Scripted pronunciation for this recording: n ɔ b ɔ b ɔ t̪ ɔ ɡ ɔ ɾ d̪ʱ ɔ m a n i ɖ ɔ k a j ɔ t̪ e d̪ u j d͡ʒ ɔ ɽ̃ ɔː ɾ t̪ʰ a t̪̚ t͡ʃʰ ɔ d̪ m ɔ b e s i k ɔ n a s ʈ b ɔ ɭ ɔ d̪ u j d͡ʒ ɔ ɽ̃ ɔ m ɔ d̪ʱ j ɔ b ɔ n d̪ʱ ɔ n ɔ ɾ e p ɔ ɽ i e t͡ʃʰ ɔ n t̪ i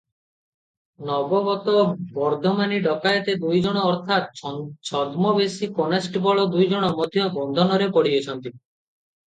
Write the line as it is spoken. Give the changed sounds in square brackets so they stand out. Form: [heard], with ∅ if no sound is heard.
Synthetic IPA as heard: n ɔ b ɔ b ɔ t̪ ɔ [b] ɔ ɾ d̪ʱ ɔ m a n i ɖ ɔ k a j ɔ t̪ e d̪ u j d͡ʒ ɔ ɽ̃ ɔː ɾ t̪ʰ a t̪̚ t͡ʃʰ ɔ d̪ m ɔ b e s i k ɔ n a s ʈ b ɔ ɭ ɔ d̪ u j d͡ʒ ɔ ɽ̃ ɔ m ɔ d̪ʱ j ɔ b ɔ n d̪ʱ ɔ n ɔ ɾ e p ɔ ɽ i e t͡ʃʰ ɔ n t̪ i